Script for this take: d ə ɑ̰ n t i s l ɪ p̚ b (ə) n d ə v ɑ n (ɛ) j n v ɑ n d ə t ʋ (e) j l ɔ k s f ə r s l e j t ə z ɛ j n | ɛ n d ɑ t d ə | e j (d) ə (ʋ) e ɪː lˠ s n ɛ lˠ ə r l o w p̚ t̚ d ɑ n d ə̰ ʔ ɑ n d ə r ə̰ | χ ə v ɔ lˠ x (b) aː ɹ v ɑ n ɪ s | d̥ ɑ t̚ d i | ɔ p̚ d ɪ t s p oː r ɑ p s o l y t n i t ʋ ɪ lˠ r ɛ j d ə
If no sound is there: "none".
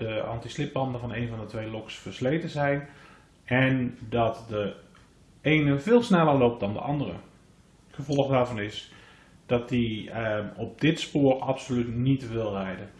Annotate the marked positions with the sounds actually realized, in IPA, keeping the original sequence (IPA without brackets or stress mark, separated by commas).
ɑ, e, e, n, v, d